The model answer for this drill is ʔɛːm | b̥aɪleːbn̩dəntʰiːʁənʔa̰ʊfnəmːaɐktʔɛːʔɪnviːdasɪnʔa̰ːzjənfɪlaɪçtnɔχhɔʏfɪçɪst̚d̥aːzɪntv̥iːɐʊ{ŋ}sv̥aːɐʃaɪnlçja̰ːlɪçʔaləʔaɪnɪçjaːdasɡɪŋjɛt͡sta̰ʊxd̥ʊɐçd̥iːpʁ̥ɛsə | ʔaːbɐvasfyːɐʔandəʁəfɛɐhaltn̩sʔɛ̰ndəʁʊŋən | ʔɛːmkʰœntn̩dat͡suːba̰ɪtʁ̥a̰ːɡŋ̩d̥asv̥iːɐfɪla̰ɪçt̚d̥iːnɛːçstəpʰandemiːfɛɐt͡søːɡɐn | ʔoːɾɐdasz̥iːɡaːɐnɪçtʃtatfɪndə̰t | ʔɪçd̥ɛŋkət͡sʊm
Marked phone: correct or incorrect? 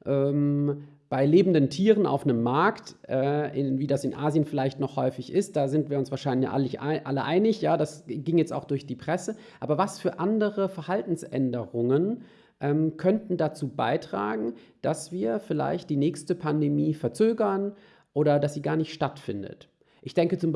incorrect